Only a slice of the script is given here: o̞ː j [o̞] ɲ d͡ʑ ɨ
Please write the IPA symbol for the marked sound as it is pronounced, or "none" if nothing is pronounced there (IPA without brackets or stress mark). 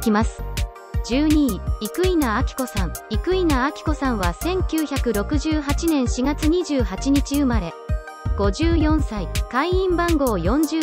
õ̞